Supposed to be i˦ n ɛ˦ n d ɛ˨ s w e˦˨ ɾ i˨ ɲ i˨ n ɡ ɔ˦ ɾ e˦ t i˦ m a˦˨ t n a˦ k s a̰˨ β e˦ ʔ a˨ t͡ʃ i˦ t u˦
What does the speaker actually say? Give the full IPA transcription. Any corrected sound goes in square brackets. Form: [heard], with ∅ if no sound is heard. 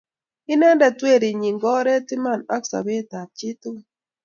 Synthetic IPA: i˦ n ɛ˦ n d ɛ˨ [t] w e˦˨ ɾ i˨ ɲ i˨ [ŋ] ɡ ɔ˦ ɾ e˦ t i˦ m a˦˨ [∅] n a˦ k s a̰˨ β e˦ [t] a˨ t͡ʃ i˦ t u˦